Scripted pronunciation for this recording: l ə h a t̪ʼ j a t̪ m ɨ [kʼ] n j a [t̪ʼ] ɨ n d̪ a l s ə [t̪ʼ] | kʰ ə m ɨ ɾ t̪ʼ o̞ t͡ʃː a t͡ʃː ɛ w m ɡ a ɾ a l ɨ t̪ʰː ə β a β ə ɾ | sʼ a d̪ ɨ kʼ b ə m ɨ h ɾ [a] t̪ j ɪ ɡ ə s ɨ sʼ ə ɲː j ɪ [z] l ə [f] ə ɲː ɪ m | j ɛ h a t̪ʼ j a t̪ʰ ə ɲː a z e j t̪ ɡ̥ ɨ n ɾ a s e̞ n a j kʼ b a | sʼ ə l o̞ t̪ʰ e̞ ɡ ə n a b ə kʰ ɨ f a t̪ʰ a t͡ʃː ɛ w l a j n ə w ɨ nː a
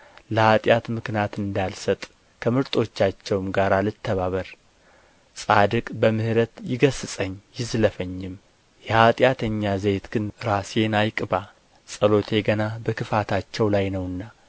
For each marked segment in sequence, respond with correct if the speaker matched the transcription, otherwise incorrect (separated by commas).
incorrect, incorrect, correct, incorrect, correct, correct